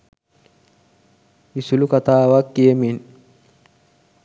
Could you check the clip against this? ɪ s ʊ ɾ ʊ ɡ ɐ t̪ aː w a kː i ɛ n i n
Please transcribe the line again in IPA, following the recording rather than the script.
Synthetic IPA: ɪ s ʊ l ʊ k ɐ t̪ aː w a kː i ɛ m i n